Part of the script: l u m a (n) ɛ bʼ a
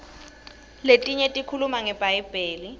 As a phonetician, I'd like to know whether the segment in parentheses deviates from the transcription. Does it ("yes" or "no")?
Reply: yes